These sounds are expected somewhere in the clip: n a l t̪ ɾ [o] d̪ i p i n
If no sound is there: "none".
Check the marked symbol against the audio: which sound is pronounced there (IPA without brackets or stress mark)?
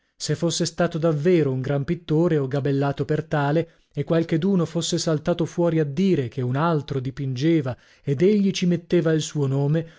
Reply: o